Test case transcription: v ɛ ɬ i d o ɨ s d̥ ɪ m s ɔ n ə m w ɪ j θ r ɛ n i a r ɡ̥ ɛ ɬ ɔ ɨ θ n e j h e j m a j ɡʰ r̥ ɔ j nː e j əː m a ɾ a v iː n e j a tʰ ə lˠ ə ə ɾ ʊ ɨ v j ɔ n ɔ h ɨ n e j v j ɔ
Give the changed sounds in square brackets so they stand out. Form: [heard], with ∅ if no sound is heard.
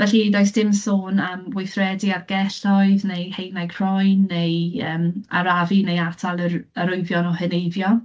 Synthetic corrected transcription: v ɛ ɬ i d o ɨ s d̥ ɪ m s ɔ n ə m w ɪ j θ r ɛ [d] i a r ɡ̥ ɛ ɬ ɔ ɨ [ð] n e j h e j [n] a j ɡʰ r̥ ɔ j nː e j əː m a ɾ a v [i] n e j a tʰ [a] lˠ ə ə ɾ ʊ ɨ v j ɔ n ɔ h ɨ n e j v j ɔ